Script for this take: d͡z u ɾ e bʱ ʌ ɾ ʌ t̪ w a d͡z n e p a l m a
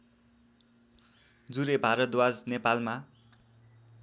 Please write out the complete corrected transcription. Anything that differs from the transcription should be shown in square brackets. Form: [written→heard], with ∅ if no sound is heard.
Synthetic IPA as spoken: d͡z u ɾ e bʱ [ʌ→a] ɾ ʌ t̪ w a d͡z n e p a l m a